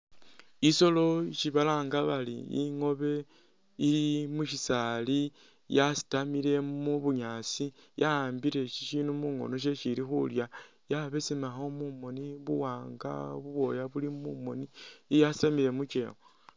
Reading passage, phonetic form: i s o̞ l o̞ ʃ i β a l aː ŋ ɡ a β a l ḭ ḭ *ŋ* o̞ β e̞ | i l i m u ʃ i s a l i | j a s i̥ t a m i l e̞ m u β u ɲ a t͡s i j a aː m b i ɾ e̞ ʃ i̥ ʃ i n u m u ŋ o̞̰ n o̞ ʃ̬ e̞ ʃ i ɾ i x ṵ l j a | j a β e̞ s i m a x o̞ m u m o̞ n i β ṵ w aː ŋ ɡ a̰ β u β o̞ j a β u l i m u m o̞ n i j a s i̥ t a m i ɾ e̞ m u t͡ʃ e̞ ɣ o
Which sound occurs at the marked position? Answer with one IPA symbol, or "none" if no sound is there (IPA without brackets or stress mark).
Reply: ŋ